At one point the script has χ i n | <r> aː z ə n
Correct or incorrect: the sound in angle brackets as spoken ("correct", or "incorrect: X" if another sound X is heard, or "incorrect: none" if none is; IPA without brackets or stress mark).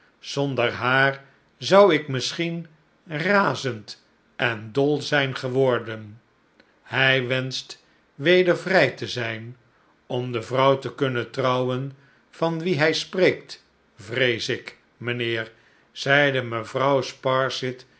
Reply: correct